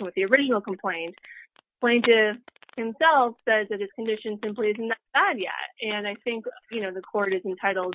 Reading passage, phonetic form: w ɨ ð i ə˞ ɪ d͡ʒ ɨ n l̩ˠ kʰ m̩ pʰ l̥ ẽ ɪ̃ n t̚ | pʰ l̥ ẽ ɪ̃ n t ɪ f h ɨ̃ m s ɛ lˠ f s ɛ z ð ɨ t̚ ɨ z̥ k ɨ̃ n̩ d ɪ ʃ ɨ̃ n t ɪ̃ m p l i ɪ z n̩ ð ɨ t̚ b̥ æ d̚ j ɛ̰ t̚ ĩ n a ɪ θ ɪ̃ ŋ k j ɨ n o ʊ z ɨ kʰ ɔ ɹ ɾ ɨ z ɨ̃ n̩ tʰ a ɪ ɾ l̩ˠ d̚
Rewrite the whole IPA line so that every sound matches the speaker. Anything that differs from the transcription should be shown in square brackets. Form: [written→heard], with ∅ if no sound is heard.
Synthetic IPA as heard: w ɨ ð i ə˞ ɪ d͡ʒ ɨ n l̩ˠ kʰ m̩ pʰ l̥ ẽ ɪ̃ n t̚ | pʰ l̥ ẽ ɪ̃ n t ɪ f h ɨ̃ m s ɛ lˠ f s ɛ z ð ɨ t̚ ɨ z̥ k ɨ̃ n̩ d ɪ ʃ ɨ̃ n [t→s] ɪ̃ m p l i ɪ z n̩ ð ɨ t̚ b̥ æ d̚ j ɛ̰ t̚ [ĩ→ɨ̃] n a ɪ θ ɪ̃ ŋ k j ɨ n o ʊ [z→ð] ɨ kʰ ɔ ɹ ɾ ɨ z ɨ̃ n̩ tʰ a ɪ ɾ l̩ˠ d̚